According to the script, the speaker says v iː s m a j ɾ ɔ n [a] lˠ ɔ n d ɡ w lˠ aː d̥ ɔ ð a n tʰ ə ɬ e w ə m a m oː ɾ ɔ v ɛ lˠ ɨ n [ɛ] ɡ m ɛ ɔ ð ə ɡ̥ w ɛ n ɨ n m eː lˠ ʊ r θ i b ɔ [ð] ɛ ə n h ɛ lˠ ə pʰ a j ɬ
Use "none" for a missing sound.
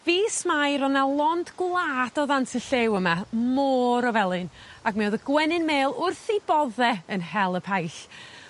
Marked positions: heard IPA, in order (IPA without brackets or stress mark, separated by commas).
a, a, ð